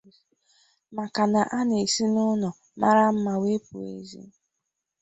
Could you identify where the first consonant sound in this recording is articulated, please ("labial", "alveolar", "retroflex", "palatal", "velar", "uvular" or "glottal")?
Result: labial